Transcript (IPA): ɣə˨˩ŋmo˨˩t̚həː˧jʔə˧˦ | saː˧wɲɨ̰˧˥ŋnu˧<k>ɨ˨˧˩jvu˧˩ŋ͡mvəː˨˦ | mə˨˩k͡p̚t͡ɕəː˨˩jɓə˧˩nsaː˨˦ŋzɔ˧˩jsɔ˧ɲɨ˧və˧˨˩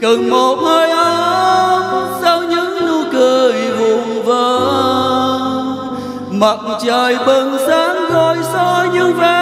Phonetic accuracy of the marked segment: correct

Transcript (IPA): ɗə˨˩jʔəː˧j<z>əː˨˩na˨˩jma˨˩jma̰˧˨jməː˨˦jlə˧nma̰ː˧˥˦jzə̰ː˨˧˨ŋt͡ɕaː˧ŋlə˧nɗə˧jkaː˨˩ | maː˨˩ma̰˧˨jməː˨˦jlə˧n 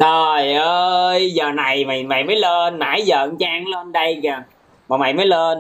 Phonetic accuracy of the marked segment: correct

